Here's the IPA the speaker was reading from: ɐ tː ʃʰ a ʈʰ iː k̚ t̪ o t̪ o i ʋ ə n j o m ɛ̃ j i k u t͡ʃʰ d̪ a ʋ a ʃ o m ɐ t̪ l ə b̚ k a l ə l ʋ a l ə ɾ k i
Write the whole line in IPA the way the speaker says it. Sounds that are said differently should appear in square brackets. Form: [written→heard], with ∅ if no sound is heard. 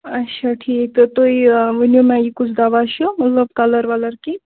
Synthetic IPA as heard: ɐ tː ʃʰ a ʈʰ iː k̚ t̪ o t̪ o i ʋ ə n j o m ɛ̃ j i k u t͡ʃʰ d̪ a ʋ a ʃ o m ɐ t̪ l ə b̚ k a l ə [l→ɾ] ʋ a l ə ɾ k i